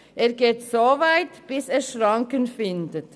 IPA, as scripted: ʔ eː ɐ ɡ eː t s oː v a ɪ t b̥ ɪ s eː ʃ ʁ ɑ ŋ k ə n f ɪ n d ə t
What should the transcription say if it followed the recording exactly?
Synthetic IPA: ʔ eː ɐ ɡ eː t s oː v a ɪ t b̥ ɪ s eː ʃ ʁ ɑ ŋ k ə n f ɪ n d ə t